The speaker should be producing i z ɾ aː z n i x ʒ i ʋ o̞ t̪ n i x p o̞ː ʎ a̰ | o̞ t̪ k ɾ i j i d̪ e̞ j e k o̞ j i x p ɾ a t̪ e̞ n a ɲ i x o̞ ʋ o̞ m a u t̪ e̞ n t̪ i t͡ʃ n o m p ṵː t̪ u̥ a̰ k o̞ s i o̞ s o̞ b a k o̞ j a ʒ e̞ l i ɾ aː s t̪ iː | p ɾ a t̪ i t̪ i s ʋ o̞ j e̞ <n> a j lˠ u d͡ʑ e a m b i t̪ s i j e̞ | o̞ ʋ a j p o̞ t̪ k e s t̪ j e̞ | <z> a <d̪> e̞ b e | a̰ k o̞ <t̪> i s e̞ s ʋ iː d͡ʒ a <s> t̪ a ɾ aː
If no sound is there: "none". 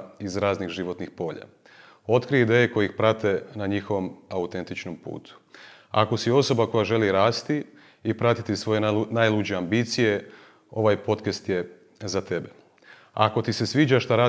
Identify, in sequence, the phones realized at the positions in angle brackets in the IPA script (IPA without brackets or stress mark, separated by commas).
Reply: n, z, t̪, t̪, ʃ